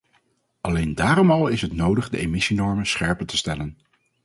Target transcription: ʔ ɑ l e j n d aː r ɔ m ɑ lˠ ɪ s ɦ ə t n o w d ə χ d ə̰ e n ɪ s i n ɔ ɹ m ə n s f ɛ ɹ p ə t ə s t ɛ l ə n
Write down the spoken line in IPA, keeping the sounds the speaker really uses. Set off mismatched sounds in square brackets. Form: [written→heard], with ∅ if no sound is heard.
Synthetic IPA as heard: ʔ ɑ l e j n d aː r ɔ m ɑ lˠ ɪ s ɦ ə t n o w d ə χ d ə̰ e [n→m] ɪ s i n ɔ ɹ m ə n s [f→χ] ɛ ɹ p ə t ə s t ɛ l ə n